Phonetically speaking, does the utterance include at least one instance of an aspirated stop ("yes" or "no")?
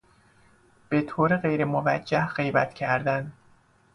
yes